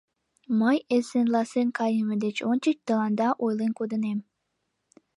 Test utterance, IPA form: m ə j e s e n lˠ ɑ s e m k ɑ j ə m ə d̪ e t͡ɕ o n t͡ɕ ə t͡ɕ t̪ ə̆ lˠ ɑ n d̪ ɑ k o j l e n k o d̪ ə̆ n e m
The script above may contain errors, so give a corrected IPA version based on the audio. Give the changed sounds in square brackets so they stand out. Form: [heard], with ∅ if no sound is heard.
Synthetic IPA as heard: m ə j e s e n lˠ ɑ s e [n] k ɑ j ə m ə d̪ e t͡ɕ o n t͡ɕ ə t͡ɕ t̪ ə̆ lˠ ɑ n d̪ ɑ [ʔ] o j l e n k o d̪ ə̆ n e m